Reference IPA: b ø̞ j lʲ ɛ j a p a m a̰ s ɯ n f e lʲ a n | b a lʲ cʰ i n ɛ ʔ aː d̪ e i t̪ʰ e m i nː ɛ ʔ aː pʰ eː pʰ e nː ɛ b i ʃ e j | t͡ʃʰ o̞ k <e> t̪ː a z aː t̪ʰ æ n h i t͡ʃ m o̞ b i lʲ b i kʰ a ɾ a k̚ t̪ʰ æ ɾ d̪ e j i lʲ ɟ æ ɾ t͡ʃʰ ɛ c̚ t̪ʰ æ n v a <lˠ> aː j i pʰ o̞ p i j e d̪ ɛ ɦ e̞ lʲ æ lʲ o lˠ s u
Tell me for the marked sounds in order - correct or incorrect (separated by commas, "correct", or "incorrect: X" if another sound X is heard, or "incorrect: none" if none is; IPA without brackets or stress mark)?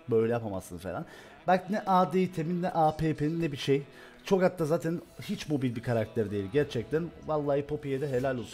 incorrect: a, incorrect: lˠː